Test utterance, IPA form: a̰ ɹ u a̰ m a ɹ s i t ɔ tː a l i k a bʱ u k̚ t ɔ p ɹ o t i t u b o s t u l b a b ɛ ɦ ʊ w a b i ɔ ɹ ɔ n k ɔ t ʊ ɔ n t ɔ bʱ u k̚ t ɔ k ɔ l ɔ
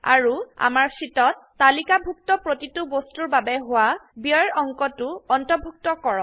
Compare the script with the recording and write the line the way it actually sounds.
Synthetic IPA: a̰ ɹ u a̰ m a ɹ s i t ɔ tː a l i k a bʱ u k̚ t ɔ p ɹ o t i t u b o s t u ɹ b a b ɛ ɦ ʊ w a b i ɔ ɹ ɔ ŋ k ɔ t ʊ ɔ n t ɔ bʱ u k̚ t ɔ k ɔ ɹ ɔ

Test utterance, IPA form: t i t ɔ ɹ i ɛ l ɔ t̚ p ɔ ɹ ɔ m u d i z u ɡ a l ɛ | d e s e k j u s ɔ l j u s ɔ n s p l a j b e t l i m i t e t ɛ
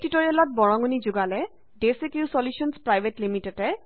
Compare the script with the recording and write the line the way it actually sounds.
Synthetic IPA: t i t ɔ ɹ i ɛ l ɔ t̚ b ɔ ɹ ɔ ŋ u n i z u ɡ a l ɛ | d e s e k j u s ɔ l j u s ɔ n s p ɹ a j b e t l i m i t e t ɛ

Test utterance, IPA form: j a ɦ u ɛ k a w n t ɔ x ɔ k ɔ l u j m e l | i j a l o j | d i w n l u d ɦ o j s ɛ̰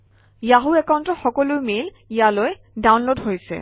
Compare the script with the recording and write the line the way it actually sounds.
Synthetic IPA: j a ɦ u ɛ k a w n t ɔ x ɔ k ɔ l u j m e l | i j a l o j | d a w n l o d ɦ o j s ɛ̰

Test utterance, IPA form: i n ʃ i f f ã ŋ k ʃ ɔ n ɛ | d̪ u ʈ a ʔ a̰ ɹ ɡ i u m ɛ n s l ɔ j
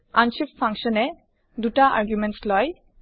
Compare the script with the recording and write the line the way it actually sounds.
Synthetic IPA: a n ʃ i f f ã ŋ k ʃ ɔ n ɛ | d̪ u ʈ a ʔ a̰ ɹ ɡ j u m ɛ n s l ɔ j

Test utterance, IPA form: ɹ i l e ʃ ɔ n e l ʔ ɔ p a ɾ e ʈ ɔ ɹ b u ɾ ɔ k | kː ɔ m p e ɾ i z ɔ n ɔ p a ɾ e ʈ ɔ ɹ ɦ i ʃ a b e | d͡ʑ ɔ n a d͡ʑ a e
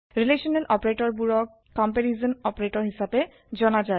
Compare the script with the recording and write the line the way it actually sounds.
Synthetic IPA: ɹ i l e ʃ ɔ n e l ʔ ɔ p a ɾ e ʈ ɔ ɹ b u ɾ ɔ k | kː ɔ m p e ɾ i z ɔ n ɔ p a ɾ e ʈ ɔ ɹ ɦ i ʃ a b e | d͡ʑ ɔ n a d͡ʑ a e

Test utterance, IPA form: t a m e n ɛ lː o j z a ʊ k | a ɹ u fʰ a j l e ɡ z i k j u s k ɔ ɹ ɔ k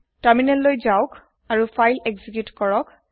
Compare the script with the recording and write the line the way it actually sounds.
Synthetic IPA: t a m i n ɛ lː o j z a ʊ k | a ɹ u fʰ a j l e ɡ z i k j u t k ɔ ɹ ɔ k

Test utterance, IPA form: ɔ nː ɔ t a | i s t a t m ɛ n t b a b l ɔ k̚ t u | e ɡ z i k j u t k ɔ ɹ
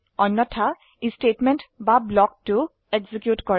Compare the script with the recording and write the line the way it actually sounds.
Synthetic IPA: ɔ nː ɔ tʰ a | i s t e t m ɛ n t b a b l ɔ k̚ t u | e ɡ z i k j u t k ɔ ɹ

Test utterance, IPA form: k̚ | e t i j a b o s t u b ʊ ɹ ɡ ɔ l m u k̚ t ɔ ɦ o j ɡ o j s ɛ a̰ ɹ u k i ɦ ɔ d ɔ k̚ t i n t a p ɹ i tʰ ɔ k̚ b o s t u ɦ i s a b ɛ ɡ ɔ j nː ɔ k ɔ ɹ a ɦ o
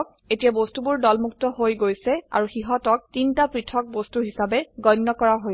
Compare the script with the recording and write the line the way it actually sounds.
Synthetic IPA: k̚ | e t i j a b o s t u b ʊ ɹ d ɔ l m u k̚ t ɔ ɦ o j ɡ o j s ɛ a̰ ɹ u x i ɦ ɔ t ɔ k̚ t i n t a p ɹ i tʰ ɔ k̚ b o s t u ɦ i s a b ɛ ɡ ɔ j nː ɔ k ɔ ɹ a ɦ o

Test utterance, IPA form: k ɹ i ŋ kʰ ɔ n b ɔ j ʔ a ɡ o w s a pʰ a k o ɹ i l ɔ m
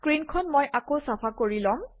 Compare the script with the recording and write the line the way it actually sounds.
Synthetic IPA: k ɹ i n kʰ ɔ n m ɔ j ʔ a k o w s a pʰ a k o ɹ i l ɔ m

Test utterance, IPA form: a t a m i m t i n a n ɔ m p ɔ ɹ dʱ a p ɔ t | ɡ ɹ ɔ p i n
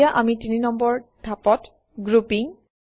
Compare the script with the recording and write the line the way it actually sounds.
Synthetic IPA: a ʔ a m i t i n i n ɔ m b ɔ ɹ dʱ a p ɔ t | ɡ ɹ u p i ŋ

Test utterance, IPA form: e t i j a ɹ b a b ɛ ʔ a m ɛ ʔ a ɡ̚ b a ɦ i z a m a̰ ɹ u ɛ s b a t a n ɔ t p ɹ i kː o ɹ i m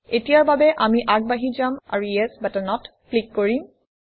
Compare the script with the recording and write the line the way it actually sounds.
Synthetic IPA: e t i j a ɹ b a b ɛ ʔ a m i ʔ a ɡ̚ b a ɦ i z a m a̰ ɹ u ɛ s b a t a n ɔ t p l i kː o ɹ i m

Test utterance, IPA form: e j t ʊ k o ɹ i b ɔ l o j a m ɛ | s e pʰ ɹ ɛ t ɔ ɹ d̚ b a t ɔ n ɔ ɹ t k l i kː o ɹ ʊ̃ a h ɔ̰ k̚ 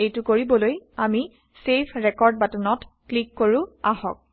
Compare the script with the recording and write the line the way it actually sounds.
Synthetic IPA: e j t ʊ k o ɹ i b ɔ l o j a m i | s e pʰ ɹ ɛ k ɔ ɹ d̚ b a t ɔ n ɔ t k l i kː o ɹ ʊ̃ a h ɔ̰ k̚

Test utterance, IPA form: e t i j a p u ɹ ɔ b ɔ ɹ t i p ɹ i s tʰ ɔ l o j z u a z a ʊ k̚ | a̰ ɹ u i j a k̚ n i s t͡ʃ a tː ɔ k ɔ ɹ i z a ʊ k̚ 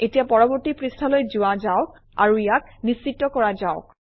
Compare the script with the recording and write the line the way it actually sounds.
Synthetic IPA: e t i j a p ɔ ɹ ɔ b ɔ ɹ t i p ɹ i s tʰ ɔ l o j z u a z a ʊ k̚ | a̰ ɹ u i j a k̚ n i s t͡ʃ i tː ɔ k ɔ ɹ a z a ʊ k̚

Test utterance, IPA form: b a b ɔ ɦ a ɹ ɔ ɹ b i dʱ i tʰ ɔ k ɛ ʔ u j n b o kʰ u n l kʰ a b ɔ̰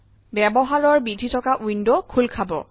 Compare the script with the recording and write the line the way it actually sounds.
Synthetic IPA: b ɛ b ɔ ɦ a ɹ ɔ ɹ b i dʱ i tʰ ɔ k a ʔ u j n d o kʰ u l kʰ a b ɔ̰

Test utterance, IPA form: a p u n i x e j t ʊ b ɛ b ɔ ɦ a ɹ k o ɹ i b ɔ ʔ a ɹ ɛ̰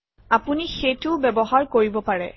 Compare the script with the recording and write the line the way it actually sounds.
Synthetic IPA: a p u n i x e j t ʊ b ɛ b ɔ ɦ a ɹ k o ɹ i b ɔ p a ɹ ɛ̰

